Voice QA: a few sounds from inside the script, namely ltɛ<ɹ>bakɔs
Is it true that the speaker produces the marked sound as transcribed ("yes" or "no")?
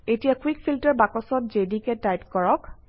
yes